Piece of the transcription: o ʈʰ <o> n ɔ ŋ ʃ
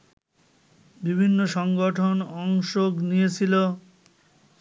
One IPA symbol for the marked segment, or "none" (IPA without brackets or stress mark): o